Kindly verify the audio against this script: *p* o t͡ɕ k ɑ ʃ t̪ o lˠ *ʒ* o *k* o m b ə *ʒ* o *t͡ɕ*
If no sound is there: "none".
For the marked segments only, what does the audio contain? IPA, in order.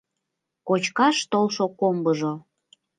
k, ʃ, k, ʒ, none

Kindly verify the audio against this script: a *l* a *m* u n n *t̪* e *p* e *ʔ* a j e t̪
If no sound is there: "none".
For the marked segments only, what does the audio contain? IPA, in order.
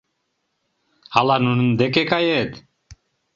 l, n, d̪, k, k

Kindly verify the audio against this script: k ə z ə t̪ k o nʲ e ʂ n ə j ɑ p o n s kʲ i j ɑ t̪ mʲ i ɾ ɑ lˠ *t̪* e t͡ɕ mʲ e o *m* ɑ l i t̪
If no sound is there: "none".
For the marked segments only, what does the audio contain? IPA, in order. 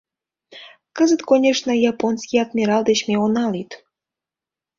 d̪, n

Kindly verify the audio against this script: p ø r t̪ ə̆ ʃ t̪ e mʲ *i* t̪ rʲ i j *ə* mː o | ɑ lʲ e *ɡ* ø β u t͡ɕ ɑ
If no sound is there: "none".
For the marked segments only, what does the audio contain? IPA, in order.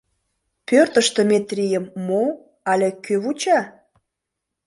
e, ə, k

